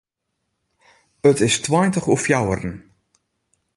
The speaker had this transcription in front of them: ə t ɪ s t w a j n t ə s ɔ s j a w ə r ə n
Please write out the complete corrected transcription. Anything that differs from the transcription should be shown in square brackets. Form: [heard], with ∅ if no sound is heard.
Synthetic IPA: ə t ɪ s t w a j n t ə [χ] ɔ [f] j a w ə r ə n

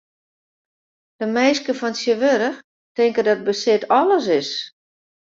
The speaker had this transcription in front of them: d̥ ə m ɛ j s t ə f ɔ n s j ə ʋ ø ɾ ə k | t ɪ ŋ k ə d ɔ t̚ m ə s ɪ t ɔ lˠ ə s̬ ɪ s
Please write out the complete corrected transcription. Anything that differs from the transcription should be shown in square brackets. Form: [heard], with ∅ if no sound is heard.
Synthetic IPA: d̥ ə m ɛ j s [k] ə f ɔ n s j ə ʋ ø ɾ ə [x] | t ɪ ŋ k ə d ɔ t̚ [b] ə s ɪ t ɔ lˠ ə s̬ ɪ s

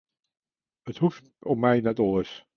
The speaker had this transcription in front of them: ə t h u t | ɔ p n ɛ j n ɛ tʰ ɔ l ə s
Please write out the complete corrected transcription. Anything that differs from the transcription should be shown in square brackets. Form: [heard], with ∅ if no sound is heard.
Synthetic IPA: ə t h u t | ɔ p [m] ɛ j n ɛ [t] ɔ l ə s

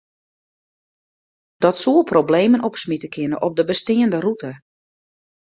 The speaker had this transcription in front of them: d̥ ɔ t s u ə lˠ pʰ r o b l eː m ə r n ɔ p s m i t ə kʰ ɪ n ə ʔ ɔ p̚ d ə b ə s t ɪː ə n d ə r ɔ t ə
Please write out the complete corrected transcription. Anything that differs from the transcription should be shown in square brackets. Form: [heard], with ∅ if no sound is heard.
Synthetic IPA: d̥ ɔ t s u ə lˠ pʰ r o b l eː m ə [∅] n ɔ p s m i t ə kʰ ɪ n ə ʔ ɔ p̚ d ə b ə s t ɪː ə n d ə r [u] t ə

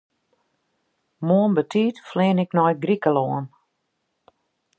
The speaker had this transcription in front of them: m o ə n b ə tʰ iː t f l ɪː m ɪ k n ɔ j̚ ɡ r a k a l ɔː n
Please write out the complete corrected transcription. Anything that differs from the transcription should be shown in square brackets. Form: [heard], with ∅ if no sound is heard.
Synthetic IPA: m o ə n b ə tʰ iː t f l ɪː [n] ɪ k n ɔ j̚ ɡ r [i] k [ə] l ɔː n

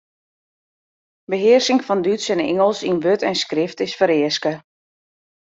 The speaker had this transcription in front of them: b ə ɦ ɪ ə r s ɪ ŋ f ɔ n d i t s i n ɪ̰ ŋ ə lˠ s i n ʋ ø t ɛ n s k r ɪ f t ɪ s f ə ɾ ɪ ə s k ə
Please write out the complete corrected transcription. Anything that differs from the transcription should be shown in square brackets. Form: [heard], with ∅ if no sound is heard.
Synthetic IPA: b ə ɦ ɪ ə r s ɪ ŋ f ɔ n d [y] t s [ɛ] n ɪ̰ ŋ ə lˠ s i n ʋ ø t ɛ n s k r ɪ f t ɪ s f ə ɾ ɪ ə s k ə

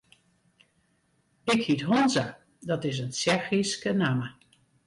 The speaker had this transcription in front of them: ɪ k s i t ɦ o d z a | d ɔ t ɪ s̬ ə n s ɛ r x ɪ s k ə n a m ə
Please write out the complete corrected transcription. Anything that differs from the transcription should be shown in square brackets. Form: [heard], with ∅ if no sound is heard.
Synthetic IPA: ɪ k [h] i t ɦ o [n] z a | d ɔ t ɪ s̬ ə n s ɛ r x [i] s k ə n a m ə

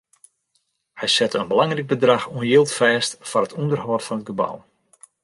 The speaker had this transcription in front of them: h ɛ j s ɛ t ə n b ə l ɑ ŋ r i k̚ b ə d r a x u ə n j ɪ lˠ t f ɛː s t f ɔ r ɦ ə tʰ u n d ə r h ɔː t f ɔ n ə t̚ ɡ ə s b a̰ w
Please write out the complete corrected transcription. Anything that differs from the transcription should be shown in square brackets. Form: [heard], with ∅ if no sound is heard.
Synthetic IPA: h ɛ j s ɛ t ə n b ə l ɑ ŋ r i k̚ b ə d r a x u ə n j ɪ lˠ t f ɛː s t f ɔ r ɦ ə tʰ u n d ə r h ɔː t f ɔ n ə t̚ ɡ ə [∅] b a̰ w

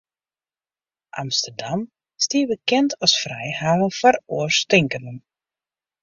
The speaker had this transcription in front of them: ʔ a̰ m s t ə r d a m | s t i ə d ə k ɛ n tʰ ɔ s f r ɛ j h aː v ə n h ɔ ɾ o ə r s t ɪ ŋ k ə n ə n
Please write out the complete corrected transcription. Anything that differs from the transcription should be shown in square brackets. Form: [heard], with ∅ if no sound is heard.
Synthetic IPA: ʔ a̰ m s t ə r d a m | s t i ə [b] ə k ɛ n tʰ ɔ s f r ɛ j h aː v ə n [f] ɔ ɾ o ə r s t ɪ ŋ k ə n ə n

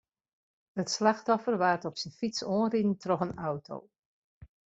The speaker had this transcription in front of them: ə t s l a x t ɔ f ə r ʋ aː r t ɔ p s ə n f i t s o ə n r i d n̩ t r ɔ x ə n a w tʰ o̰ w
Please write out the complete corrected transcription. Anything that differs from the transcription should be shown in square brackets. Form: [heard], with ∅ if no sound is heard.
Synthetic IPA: ə t s l a x t ɔ f ə r ʋ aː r t ɔ p s ə n f i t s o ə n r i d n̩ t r ɔ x ə n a w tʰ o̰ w

